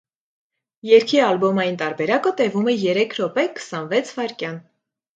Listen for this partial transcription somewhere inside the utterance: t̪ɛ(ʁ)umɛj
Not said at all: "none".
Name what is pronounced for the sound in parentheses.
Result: v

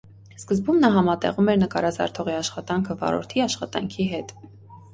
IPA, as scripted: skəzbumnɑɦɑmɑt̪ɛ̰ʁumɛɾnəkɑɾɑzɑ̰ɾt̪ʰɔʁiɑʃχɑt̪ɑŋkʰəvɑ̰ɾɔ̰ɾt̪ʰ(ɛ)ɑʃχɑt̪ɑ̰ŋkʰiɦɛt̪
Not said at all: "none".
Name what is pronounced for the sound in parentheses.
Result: i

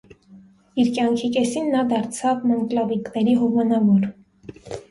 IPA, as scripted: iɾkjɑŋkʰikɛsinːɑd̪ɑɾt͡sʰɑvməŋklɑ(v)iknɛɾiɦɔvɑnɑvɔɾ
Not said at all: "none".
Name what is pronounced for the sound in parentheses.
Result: v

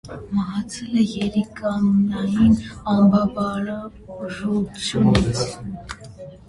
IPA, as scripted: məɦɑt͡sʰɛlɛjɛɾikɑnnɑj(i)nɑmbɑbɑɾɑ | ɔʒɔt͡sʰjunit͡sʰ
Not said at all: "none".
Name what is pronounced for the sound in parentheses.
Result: i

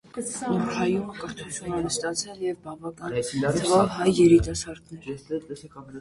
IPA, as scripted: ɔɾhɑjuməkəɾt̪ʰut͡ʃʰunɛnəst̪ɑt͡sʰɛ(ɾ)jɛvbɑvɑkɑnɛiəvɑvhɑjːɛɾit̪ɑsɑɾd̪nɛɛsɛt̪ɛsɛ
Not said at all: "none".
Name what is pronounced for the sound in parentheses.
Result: l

